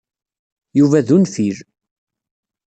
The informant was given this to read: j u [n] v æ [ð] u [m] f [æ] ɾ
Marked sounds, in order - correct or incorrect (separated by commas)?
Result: incorrect, correct, incorrect, incorrect